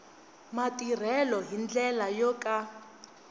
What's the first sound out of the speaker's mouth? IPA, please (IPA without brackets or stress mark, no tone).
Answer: m